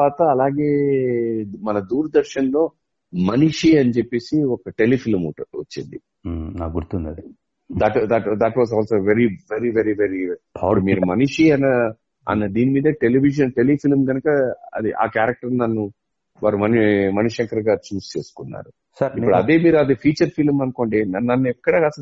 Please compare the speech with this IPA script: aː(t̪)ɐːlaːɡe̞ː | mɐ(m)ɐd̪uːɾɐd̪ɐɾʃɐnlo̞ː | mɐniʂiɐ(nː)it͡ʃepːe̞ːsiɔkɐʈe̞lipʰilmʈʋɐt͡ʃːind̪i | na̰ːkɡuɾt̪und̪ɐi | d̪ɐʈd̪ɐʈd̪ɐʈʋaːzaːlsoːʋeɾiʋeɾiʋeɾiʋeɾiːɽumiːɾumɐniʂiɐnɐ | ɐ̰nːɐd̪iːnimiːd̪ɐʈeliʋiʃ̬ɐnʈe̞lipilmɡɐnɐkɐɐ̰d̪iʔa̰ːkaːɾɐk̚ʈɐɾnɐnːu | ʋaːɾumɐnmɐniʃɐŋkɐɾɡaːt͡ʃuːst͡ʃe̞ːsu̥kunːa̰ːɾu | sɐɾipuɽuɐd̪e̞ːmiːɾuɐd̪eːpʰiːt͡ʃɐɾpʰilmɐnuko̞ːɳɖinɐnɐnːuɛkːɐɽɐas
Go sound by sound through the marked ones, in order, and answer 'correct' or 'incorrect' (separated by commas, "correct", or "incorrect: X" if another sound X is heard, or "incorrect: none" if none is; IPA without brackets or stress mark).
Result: correct, incorrect: n, incorrect: n